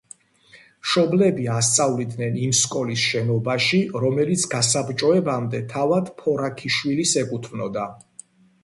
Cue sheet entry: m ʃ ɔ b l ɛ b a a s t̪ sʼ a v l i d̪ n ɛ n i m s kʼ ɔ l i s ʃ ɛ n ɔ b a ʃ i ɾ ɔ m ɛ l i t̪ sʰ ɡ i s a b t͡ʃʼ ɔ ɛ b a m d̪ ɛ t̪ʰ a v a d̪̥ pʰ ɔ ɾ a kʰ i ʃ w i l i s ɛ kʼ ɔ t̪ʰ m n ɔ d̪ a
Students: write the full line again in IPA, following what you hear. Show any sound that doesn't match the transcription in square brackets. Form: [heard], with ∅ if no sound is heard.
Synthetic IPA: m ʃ ɔ b l ɛ b [i] a s t̪ sʼ a v l i d̪ n ɛ n i m s kʼ ɔ l i s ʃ ɛ n ɔ b a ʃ i ɾ ɔ m ɛ l i t̪ sʰ ɡ [a] s a b t͡ʃʼ ɔ ɛ b a m d̪ ɛ t̪ʰ a v a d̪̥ pʰ ɔ ɾ a kʰ i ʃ w i l i s ɛ kʼ [u] t̪ʰ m n ɔ d̪ a

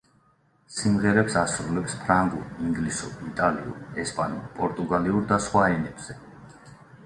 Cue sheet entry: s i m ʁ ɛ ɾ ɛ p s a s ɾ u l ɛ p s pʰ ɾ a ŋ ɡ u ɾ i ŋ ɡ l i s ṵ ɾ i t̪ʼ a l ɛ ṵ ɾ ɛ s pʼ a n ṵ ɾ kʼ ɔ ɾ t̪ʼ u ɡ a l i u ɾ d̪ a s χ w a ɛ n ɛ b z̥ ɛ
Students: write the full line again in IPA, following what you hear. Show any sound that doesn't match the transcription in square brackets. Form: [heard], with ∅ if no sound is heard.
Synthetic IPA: s i m ʁ ɛ ɾ ɛ p s a s ɾ u l ɛ p s pʰ ɾ a ŋ ɡ u ɾ i ŋ ɡ l i s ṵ ɾ i t̪ʼ a l [i] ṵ ɾ ɛ s pʼ a n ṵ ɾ [pʼ] ɔ ɾ t̪ʼ u ɡ a l i u ɾ d̪ a s χ w a ɛ n ɛ b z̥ ɛ

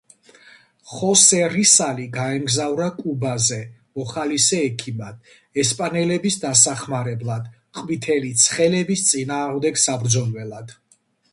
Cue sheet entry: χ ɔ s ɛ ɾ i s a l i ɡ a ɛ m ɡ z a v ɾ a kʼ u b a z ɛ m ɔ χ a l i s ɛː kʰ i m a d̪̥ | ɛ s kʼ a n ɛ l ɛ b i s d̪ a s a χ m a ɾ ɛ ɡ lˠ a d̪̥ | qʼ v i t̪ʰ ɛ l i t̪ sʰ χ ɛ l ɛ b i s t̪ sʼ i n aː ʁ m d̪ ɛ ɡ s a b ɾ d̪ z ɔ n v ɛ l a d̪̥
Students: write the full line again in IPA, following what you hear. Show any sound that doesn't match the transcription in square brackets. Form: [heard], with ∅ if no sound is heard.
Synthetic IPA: χ ɔ s ɛ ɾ i s a l i ɡ a ɛ m ɡ z a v ɾ a kʼ u b a z ɛ m ɔ χ a l i s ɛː kʰ i m a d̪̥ | ɛ s [pʼ] a n ɛ l ɛ b i s d̪ a s a χ m a ɾ ɛ [b] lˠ a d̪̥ | qʼ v i t̪ʰ ɛ l i t̪ sʰ χ ɛ l ɛ b i s t̪ sʼ i n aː ʁ m d̪ ɛ ɡ s a b ɾ d̪ z ɔ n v ɛ l a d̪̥

